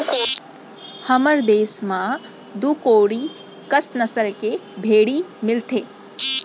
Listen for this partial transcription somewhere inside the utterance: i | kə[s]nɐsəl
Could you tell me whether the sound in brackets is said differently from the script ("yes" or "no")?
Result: no